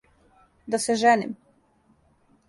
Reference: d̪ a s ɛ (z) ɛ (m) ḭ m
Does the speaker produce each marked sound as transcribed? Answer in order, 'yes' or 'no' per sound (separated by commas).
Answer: no, no